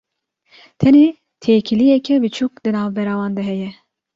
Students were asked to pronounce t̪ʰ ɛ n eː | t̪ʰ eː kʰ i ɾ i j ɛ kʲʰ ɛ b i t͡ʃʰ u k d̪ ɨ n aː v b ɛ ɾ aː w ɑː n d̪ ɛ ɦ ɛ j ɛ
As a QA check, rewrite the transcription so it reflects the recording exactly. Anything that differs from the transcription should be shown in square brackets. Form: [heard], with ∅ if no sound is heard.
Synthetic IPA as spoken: t̪ʰ ɛ n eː | t̪ʰ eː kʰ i [l] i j ɛ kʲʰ ɛ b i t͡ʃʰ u k d̪ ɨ n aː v b ɛ ɾ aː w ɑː n d̪ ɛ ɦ ɛ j ɛ